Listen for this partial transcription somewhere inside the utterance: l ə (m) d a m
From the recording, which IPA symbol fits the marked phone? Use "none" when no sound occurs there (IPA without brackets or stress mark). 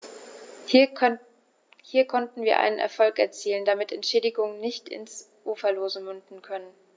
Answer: n